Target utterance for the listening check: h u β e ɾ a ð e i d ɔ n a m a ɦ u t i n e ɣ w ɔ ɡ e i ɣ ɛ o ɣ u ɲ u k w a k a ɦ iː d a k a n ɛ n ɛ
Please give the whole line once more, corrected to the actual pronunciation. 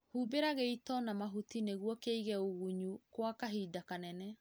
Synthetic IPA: h u b e ɾ a ɣ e i t ɔ n a m a ɦ u t i n e ɣ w ɔ k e i ɣ ɛ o ɣ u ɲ u k w a k a ɦ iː d a k a n ɛ n ɛ